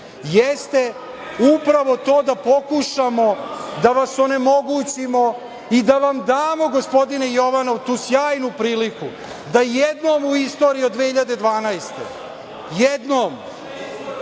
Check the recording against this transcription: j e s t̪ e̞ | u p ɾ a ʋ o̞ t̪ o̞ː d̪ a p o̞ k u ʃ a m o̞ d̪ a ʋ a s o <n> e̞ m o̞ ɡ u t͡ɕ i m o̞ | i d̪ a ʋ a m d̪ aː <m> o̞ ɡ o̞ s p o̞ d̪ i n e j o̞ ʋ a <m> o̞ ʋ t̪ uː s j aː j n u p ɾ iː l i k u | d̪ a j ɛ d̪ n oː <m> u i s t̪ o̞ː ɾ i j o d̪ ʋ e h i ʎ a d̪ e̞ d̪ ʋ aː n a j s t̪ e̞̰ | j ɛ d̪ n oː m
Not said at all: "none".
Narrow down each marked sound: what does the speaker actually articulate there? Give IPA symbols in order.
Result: n, m, n, m

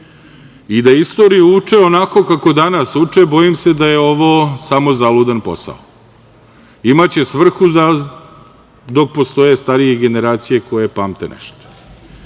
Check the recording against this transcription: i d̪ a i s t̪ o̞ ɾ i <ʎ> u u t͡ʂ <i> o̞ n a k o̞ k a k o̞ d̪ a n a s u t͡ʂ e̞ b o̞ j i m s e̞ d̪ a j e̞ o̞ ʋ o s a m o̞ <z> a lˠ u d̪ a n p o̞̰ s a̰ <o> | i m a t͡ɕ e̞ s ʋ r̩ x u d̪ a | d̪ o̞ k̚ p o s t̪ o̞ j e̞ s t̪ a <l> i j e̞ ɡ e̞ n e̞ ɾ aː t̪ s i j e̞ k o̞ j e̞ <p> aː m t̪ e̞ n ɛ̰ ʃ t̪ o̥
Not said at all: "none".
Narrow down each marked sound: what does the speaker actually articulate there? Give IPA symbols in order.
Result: j, e, z, o, ɾ, p

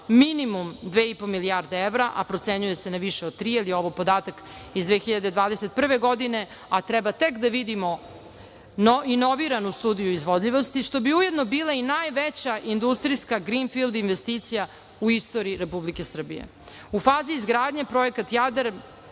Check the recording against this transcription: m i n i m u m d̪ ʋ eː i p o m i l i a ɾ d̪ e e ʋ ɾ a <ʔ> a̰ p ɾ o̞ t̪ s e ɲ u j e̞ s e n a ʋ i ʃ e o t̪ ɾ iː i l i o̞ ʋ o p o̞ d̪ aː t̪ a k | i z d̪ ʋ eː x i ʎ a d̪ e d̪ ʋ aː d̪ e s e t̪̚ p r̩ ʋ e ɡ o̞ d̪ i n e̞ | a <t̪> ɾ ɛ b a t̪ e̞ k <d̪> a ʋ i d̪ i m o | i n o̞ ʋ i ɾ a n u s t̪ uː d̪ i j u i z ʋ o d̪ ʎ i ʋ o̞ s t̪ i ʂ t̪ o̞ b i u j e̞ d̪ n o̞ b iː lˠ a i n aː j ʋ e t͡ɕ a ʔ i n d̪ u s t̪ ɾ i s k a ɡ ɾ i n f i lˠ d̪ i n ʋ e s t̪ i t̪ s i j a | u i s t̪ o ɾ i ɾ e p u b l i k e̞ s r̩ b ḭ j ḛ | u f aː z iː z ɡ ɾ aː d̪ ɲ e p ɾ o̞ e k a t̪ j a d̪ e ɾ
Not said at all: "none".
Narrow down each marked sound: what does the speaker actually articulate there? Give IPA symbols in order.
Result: ʔ, t̪, d̪

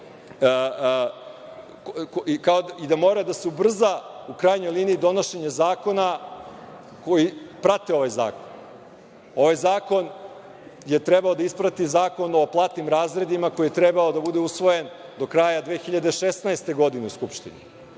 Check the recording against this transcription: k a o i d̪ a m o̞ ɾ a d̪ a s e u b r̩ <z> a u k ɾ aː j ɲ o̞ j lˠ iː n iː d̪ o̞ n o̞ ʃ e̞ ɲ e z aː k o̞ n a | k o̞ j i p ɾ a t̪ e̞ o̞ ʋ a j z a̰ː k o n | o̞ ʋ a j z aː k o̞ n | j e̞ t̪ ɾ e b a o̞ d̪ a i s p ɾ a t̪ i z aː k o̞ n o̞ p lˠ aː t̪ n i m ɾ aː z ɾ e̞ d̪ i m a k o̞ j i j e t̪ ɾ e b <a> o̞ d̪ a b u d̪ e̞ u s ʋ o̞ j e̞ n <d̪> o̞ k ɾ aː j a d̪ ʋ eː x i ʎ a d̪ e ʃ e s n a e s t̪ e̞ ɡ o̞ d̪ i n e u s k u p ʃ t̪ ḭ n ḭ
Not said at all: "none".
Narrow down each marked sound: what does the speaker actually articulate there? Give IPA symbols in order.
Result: z, a, d̪

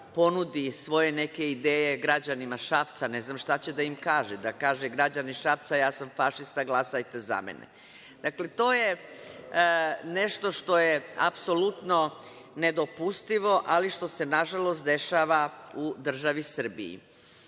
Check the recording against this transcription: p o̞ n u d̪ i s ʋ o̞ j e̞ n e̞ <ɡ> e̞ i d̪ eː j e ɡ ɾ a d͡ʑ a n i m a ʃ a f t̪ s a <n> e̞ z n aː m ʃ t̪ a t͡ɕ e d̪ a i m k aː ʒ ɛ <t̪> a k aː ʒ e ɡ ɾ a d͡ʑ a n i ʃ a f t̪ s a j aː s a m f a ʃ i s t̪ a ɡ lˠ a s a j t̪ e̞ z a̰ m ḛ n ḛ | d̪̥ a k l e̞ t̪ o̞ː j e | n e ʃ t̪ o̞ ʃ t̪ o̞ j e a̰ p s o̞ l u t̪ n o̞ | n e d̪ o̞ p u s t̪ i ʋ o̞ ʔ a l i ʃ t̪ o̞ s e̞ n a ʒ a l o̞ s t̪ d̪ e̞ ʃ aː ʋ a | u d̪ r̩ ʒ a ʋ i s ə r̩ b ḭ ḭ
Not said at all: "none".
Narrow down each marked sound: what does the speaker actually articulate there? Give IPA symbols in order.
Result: k, n, d̪

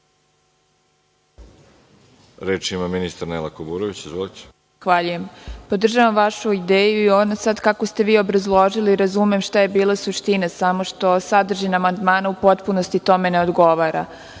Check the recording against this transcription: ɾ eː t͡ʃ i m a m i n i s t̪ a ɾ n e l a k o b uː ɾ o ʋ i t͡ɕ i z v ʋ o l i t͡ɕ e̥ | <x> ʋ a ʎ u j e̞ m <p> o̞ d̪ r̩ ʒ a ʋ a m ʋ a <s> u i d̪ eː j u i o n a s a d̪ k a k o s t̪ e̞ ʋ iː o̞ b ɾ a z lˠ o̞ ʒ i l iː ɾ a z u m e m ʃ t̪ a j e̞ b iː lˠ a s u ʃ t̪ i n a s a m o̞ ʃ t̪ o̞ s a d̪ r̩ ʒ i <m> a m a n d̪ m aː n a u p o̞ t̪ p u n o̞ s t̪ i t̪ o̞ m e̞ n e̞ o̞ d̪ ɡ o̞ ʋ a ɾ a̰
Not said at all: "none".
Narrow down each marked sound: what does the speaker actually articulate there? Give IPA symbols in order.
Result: x, p, ʃ, n

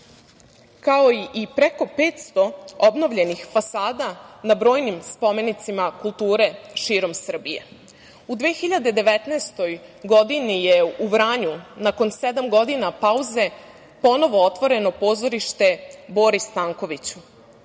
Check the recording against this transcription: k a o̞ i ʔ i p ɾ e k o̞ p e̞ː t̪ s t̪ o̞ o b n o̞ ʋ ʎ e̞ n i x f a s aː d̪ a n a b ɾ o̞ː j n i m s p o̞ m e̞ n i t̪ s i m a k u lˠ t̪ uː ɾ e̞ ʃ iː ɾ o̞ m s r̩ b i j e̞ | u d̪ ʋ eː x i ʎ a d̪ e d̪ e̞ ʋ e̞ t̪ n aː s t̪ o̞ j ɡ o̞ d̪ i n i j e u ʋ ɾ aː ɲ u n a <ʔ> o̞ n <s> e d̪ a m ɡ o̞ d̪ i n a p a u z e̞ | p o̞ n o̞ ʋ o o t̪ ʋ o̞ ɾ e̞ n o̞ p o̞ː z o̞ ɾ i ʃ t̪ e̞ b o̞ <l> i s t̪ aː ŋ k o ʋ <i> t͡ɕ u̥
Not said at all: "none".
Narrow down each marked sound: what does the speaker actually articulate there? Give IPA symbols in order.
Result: k, s, ɾ, i

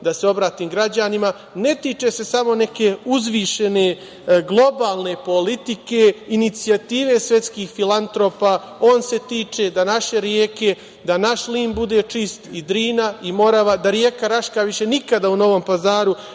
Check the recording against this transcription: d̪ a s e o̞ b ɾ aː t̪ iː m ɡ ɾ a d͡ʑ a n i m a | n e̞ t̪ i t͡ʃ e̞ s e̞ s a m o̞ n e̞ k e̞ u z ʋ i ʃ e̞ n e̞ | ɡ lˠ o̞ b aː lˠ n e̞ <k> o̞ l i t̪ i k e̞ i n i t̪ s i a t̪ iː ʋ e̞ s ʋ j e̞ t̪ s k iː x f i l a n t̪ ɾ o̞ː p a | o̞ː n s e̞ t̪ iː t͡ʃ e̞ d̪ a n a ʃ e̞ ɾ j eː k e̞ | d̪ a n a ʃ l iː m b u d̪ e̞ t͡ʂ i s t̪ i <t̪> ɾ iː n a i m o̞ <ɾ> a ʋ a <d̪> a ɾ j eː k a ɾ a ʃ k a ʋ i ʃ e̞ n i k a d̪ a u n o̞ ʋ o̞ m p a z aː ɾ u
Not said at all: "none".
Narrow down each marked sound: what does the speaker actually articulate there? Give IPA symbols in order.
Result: p, d̪, ɾ, d̪

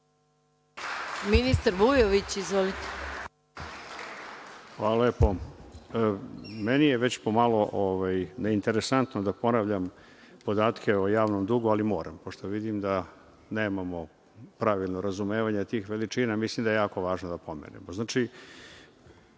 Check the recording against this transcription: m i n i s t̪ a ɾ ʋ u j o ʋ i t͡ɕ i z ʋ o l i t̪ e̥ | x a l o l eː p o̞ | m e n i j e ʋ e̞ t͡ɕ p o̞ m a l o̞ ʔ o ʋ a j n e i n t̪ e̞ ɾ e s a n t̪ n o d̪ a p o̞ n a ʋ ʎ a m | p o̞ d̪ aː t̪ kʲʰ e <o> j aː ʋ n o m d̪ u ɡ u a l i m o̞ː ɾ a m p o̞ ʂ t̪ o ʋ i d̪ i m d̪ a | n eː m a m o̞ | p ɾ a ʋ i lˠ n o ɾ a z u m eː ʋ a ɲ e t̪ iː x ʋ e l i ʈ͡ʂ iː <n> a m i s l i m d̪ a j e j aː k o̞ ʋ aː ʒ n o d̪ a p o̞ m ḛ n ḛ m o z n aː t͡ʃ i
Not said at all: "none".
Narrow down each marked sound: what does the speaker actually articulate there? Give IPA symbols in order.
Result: o, n

